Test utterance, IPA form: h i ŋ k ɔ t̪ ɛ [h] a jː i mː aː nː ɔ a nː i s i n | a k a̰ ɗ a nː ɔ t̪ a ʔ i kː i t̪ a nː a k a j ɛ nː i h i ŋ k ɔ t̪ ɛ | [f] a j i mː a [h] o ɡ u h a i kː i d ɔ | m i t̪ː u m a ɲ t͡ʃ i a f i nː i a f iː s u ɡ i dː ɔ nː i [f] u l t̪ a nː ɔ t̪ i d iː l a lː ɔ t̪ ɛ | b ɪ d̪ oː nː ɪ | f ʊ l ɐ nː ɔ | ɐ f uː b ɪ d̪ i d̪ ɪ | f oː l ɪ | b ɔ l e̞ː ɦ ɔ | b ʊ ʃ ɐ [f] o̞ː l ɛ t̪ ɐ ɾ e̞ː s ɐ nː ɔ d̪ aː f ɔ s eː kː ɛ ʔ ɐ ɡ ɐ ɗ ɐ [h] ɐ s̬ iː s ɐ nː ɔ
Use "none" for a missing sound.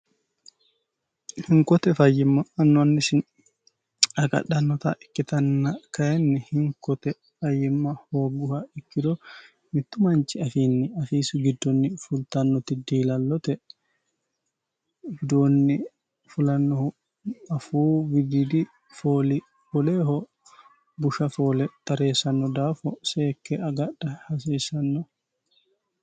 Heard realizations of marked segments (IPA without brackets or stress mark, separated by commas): f, f, h, f, f, h